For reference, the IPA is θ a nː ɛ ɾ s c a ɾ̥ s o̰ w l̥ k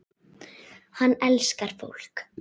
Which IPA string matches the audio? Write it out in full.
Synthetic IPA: h a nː ɛ l s k a ɾ̥ f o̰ w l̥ k

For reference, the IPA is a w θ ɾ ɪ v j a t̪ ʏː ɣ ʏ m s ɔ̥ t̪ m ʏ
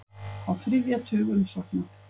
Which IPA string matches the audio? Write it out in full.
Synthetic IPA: a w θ ɾ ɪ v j a t̪ʰ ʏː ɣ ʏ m s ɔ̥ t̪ n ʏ

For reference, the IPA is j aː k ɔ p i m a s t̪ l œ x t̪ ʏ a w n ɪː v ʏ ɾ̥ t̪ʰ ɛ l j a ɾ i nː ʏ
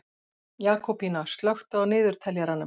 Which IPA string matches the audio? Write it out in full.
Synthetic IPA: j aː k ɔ p i n a s t̪ l œ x t̪ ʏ a w n ɪː ð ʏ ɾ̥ t̪ʰ ɛ l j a ɾ a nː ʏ

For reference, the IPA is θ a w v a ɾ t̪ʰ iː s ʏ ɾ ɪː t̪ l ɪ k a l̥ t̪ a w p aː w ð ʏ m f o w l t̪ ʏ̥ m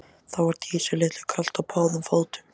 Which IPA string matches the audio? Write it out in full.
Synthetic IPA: θ a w v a ɾ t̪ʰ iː s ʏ l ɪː t̪ l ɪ kʰ a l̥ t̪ a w pʰ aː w ð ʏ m f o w l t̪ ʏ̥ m

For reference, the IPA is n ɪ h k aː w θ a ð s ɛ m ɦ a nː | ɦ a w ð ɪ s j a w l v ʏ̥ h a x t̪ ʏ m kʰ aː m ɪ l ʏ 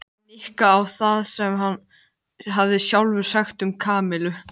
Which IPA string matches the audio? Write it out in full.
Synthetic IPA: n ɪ h k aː w θ a ð s ɛ m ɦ a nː | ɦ a v ð ɪ s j a w l v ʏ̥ s a x t̪ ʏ m kʰ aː m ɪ l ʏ

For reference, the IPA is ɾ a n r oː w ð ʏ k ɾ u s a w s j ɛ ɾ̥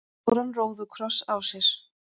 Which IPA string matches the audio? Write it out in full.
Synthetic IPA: ɾ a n r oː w ð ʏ kʰ ɾ ɔ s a w s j ɛ ɾ̥

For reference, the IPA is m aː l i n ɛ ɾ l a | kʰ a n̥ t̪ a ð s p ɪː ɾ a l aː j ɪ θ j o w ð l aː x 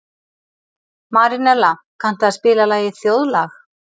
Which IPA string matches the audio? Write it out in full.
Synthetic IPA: m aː ɾ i n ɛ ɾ l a | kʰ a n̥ t̪ a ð s p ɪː l a l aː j ɪ θ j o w ð l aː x

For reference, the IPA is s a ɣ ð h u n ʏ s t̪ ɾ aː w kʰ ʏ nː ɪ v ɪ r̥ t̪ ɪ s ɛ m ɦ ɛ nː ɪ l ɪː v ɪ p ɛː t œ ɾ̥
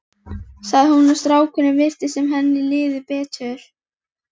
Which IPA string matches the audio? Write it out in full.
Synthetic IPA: s a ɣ ð h u n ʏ s t̪ ɾ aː w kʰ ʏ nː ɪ v ɪ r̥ t̪ ɪ s ɛ m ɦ ɛ nː ɪ l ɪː ð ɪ p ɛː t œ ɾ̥

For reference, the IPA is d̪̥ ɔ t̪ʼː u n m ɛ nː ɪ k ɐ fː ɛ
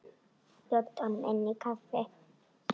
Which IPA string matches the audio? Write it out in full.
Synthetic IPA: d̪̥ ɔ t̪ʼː ɔ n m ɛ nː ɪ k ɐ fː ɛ

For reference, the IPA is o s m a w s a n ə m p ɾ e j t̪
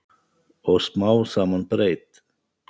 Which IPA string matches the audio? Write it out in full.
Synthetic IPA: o s m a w s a m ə n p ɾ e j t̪

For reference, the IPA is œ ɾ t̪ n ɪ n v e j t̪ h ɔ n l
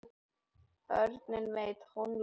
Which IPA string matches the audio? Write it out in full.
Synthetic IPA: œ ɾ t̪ n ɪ n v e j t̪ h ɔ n l

